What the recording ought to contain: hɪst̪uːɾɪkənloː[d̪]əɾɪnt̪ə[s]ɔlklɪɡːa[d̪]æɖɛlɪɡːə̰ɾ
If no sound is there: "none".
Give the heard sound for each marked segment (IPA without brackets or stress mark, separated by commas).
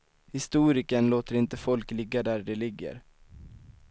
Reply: t̪, f, d̪